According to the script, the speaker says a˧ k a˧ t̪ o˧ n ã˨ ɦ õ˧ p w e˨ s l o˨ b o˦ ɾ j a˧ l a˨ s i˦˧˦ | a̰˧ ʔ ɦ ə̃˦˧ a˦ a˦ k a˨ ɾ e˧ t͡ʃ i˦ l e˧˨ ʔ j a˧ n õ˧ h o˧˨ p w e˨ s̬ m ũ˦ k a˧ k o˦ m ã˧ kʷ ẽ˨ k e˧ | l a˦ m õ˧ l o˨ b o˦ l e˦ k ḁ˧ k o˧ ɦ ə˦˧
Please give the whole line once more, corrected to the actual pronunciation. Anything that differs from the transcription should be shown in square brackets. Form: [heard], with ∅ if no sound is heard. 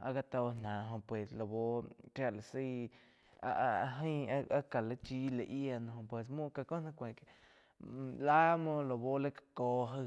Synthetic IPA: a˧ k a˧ t̪ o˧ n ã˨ ɦ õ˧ p w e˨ s l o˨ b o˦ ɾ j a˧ l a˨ s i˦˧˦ | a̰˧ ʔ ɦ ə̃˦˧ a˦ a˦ k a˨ [l] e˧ t͡ʃ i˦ l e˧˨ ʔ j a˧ n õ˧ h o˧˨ p w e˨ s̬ m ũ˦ k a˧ k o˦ [n] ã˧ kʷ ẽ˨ k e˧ | l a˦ m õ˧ l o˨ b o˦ l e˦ k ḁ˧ k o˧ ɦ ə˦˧